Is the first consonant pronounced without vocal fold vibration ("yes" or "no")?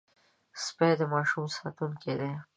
yes